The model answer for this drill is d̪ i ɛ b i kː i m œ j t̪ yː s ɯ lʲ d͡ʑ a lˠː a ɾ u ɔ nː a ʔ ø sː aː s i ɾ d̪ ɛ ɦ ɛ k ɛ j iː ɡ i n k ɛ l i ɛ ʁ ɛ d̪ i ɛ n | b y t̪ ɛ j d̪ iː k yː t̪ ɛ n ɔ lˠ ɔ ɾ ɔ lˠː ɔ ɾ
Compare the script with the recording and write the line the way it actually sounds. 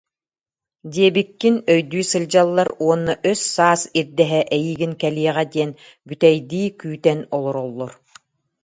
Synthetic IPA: d̪ i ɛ b i kː i n œ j d̪ yː s ɯ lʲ d͡ʑ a lˠː a ɾ u ɔ nː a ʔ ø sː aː s i ɾ d̪ ɛ ɦ ɛ ʔ ɛ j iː ɡ i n k ɛ l i ɛ ʁ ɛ d̪ i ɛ n | b y t̪ ɛ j d̪ iː k yː t̪ ɛ n ɔ lˠ ɔ ɾ ɔ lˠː ɔ ɾ